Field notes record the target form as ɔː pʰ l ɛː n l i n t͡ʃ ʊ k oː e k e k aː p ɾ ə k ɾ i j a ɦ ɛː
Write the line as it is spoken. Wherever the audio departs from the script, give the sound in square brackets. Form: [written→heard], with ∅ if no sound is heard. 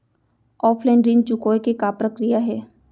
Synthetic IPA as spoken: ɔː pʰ l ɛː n [l→ɾ] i n t͡ʃ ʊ k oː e k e k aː p ɾ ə k ɾ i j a ɦ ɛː